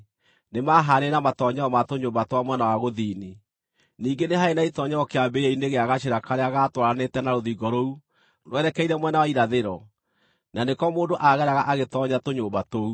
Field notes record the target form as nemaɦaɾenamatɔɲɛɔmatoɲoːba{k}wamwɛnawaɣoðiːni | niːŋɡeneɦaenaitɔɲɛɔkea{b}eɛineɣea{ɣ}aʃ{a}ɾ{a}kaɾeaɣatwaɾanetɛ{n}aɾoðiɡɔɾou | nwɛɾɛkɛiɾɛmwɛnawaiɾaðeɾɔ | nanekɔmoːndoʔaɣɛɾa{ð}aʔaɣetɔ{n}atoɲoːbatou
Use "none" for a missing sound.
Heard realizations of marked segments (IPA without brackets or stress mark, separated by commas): t, b, ɣ, e, a, n, ɣ, ɲ